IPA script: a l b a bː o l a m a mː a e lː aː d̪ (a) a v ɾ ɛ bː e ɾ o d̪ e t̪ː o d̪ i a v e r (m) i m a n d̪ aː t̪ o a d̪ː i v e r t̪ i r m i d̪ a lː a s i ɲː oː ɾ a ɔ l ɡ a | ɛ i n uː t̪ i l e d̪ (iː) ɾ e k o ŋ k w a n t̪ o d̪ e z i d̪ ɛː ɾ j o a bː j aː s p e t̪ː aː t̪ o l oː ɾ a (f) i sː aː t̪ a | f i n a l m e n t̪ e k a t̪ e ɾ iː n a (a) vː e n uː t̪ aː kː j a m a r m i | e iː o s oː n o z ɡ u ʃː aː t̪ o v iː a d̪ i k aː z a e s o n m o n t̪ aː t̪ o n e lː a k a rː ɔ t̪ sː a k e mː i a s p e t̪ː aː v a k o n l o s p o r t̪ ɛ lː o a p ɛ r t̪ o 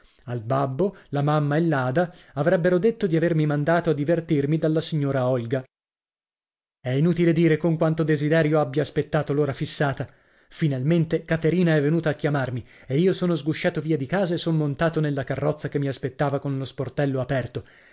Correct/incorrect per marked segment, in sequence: correct, correct, correct, correct, incorrect: ɛ

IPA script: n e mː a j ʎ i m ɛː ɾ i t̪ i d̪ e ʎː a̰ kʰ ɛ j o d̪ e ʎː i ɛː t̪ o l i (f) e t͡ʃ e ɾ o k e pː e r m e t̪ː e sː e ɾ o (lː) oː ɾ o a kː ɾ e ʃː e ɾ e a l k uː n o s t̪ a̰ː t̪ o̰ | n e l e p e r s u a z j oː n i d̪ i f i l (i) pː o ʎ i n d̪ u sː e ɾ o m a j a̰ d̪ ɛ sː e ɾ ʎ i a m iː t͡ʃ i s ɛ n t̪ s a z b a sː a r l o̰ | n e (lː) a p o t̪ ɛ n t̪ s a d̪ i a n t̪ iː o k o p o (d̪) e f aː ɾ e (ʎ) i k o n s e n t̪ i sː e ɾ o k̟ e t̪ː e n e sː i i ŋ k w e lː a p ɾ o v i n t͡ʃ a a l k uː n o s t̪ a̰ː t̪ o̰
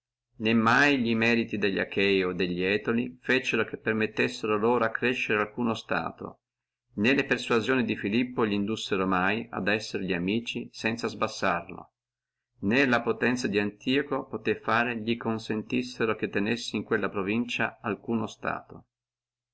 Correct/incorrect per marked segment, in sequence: correct, incorrect: l, correct, incorrect: l, incorrect: t̪, correct

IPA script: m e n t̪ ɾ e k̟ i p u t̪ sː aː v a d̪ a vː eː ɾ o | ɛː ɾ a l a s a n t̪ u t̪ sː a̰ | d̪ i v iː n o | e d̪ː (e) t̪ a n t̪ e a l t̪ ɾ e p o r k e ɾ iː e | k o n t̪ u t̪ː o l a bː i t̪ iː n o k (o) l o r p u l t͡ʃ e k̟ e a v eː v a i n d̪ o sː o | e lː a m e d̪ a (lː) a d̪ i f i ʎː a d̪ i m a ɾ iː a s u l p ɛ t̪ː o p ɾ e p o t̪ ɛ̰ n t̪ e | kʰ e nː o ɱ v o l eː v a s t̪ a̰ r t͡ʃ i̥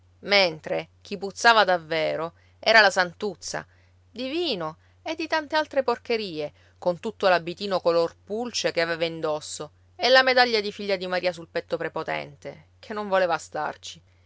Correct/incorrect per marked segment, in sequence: incorrect: i, correct, incorrect: ʎː

